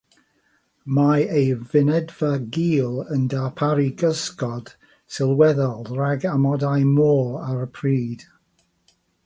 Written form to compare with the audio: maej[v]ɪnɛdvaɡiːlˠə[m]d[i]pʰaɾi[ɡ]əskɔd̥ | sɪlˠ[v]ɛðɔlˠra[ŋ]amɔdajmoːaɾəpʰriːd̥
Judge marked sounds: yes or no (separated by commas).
yes, no, no, yes, no, no